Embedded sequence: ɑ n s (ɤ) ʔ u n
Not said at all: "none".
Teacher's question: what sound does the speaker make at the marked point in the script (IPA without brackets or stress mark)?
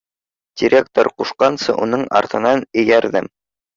ɤ